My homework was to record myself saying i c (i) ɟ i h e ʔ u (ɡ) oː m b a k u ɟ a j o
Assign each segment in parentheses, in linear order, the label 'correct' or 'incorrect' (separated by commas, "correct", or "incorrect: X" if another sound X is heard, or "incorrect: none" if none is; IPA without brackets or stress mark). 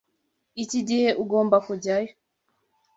correct, correct